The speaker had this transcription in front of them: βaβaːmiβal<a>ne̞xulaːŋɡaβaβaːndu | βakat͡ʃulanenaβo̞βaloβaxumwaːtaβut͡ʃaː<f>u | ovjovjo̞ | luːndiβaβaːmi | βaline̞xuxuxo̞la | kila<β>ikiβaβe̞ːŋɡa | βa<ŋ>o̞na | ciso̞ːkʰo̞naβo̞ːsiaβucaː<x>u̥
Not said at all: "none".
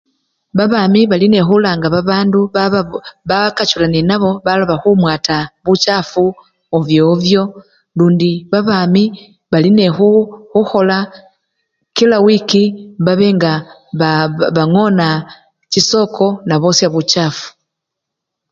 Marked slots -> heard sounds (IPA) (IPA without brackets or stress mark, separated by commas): i, f, w, ŋ, f